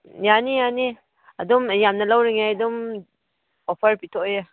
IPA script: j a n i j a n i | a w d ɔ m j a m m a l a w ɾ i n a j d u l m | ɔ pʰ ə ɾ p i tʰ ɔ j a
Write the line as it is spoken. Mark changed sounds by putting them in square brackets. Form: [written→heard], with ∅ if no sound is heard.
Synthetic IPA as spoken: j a n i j a n i | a [w→∅] d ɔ m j a m [m→n] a l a w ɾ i [n→ŋ] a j d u [l→∅] m | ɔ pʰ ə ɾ p i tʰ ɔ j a